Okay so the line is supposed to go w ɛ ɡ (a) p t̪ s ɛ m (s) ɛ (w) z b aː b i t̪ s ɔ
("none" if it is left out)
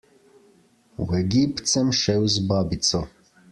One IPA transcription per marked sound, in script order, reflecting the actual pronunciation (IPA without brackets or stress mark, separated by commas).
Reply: i, ʃ, w